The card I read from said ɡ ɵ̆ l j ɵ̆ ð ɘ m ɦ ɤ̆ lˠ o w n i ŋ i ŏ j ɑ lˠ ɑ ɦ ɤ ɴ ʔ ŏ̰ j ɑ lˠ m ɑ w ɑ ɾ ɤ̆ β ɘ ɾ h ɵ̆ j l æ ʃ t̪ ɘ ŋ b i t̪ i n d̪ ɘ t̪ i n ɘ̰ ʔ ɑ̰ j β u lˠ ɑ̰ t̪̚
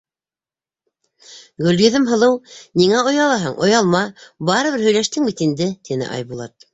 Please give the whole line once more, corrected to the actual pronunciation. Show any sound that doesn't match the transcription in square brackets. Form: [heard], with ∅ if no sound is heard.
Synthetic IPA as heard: ɡ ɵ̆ l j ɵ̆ ð ɘ m ɦ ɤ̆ lˠ [ɤ] w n i ŋ [æ] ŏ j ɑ lˠ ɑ ɦ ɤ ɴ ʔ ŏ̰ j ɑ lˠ m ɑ [b] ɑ ɾ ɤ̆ β ɘ ɾ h ɵ̆ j l æ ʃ t̪ ɘ ŋ b i t̪ i n d̪ ɘ t̪ i n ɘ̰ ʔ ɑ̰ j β u lˠ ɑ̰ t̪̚